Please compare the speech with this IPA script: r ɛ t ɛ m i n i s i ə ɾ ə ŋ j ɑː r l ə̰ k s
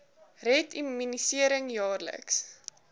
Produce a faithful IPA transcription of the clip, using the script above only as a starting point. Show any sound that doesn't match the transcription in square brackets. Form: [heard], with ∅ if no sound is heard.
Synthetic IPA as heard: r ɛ t [i] m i n i s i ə ɾ ə ŋ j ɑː r l ə̰ k s